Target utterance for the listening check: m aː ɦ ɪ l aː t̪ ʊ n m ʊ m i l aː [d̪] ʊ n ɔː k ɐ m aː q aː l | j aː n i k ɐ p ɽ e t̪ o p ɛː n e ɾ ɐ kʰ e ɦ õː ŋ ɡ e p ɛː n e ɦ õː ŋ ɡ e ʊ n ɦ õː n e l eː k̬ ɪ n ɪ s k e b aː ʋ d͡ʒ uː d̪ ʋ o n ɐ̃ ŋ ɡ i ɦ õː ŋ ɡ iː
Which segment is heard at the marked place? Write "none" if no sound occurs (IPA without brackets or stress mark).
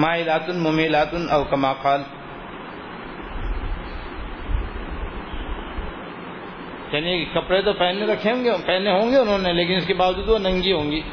t̪